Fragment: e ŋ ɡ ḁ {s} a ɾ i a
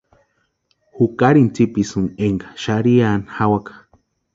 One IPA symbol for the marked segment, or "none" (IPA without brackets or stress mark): ʃ